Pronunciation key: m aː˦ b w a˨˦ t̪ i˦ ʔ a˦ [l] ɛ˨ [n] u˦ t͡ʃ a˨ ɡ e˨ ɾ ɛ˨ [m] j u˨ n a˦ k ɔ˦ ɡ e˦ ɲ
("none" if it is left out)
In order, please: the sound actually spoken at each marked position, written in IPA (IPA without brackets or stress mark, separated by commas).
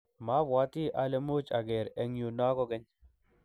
l, m, ŋ